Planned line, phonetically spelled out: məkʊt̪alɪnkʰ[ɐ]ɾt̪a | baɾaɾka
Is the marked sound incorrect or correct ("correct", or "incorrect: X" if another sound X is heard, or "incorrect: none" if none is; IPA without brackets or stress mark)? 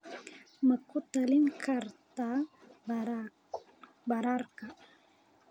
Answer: incorrect: a